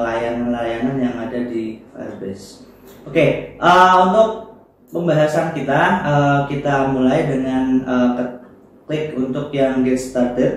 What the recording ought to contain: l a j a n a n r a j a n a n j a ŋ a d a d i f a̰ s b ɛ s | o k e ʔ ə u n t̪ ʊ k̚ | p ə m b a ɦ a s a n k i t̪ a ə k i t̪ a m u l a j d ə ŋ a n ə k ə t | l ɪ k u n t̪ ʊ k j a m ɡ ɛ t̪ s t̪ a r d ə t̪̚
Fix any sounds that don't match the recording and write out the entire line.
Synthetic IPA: l a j a n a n l a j a n a n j a ŋ a d a d i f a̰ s b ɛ s | o k e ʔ ə u n t̪ ʊ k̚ | p ə m b a ɦ a s a n k i t̪ a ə k i t̪ a m u l a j d ə ŋ a n ə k ə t | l ɪ k u n t̪ ʊ k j a ŋ ɡ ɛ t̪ s t̪ a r d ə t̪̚